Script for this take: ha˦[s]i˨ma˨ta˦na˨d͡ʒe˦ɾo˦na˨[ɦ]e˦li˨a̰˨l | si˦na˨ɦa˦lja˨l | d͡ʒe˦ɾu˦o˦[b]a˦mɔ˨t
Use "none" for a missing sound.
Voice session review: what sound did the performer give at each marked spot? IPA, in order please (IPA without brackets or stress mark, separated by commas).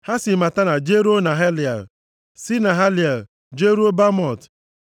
s, ɦ, b